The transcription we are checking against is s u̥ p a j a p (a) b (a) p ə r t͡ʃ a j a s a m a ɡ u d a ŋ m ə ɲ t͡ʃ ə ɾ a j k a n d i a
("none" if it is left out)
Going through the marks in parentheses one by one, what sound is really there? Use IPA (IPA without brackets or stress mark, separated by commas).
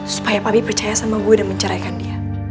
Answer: a, i